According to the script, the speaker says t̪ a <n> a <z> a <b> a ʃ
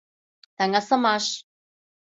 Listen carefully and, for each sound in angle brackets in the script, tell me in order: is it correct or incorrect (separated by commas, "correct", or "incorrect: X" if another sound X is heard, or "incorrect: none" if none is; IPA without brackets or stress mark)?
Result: incorrect: ŋ, incorrect: s, incorrect: m